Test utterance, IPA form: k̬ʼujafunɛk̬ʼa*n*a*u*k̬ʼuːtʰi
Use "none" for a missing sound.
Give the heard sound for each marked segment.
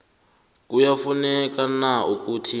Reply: n, u

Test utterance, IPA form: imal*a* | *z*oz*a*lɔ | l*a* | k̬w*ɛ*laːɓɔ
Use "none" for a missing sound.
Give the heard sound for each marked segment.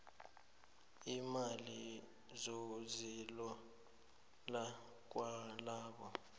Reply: i, z, i, a, a

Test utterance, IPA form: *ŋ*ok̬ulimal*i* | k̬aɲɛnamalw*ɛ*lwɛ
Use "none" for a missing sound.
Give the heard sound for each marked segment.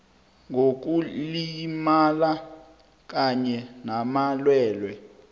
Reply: ŋ, a, ɛː

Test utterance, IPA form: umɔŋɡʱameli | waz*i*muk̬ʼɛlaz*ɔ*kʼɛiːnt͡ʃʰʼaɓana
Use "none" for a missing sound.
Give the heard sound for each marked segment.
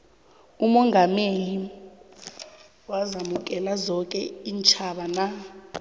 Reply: a, ɔ

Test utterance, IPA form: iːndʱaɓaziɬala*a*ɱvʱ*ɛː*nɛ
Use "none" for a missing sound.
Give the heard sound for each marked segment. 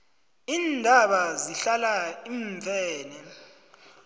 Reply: i, ɛː

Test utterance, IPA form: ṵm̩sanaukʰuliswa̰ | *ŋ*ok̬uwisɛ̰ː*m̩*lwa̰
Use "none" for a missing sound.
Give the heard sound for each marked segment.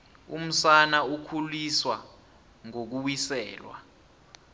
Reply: ŋ, none

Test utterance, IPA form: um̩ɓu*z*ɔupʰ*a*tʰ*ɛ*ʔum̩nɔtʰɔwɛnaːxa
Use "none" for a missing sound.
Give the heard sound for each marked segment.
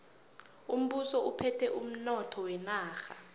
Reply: s, ɛ, ɛ

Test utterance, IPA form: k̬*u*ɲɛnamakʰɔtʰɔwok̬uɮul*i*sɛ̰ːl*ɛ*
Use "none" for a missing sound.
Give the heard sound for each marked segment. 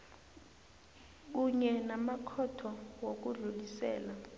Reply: u, i, a

